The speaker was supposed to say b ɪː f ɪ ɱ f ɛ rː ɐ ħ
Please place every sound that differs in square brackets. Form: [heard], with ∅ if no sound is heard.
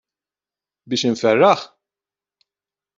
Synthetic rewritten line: b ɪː [ʃ] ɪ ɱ f ɛ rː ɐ ħ